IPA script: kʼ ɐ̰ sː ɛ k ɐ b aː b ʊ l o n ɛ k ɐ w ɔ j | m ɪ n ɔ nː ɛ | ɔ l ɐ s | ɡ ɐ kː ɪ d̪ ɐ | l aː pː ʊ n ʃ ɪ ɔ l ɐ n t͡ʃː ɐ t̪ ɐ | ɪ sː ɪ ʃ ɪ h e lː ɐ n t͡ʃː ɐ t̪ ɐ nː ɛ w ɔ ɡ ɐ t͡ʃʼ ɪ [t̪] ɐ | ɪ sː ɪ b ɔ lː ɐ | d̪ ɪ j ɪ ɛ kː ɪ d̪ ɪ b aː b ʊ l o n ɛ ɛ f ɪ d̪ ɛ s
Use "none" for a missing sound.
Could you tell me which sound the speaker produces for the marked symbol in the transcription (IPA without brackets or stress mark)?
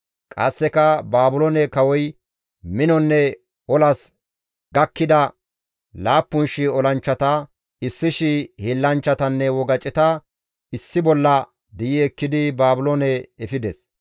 t̪